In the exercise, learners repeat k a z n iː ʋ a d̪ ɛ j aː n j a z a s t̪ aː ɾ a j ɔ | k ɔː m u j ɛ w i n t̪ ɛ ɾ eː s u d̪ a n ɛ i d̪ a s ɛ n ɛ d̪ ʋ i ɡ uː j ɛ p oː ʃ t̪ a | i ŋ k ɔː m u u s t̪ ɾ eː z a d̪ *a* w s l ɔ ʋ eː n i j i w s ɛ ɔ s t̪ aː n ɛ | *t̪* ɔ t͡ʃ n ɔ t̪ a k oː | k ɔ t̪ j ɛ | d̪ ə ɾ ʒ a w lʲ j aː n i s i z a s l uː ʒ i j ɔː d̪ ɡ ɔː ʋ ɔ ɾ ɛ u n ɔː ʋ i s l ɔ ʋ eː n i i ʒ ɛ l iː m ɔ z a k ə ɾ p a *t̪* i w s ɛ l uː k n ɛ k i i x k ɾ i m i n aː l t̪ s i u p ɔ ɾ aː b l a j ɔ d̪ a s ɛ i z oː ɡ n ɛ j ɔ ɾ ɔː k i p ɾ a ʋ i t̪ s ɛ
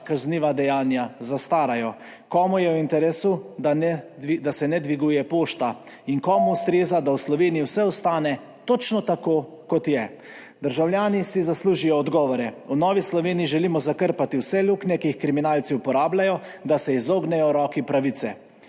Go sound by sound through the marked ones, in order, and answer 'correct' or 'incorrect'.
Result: correct, correct, correct

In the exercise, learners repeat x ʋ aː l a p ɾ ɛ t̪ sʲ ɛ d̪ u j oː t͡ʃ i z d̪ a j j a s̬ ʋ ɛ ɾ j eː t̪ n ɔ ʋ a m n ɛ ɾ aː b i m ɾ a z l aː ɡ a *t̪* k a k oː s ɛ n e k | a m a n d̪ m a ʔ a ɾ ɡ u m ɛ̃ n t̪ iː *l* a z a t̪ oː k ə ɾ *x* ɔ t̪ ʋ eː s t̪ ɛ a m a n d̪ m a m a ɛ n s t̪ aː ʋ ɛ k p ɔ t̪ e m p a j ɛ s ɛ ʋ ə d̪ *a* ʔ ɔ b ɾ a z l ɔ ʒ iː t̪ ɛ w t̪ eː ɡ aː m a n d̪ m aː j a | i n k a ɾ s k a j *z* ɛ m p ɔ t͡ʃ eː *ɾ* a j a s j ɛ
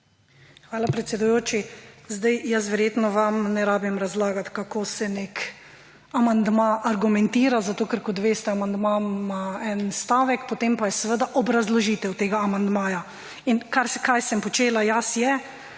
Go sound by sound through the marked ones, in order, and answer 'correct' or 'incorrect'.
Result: correct, incorrect: ɾ, incorrect: k, correct, incorrect: s, incorrect: l

